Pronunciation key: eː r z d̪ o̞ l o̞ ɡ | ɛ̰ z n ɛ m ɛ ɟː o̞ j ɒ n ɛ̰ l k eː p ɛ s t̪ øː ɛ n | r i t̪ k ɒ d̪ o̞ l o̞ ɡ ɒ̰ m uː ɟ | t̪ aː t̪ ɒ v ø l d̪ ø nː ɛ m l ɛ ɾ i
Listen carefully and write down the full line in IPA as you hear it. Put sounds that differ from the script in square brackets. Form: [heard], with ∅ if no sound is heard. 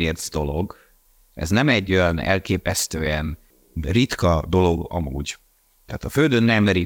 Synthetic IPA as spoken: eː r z d̪ o̞ l o̞ ɡ | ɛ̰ z n ɛ m ɛ ɟː o̞ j ɒ n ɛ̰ l k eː p ɛ s t̪ øː ɛ n | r i t̪ k ɒ d̪ o̞ l o̞ ɡ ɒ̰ m uː ɟ | t̪ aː t̪ ɒ [f] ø l d̪ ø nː ɛ m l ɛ ɾ i